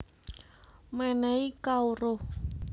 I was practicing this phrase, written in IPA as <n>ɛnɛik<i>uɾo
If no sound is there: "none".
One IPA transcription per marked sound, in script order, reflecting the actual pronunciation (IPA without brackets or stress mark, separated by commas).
m, a